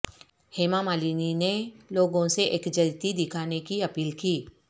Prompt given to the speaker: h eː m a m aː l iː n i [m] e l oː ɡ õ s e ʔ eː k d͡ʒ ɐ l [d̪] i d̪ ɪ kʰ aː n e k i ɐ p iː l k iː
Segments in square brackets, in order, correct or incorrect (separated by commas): incorrect, incorrect